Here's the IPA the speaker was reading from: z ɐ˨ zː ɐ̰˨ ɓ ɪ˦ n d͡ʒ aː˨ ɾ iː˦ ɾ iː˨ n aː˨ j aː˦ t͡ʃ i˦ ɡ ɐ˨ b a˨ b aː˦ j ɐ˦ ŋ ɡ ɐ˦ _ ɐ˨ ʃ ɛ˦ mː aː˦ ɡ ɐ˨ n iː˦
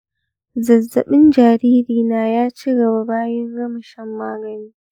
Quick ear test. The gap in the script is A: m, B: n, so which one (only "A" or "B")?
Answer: A